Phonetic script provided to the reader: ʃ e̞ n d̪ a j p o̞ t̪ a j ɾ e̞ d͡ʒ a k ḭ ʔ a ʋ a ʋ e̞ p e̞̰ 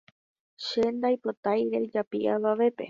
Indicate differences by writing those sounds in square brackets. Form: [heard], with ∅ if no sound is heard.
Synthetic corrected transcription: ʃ e̞ n d̪ a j p o̞ t̪ a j ɾ e̞ d͡ʒ a [p] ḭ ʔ a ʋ a ʋ e̞ p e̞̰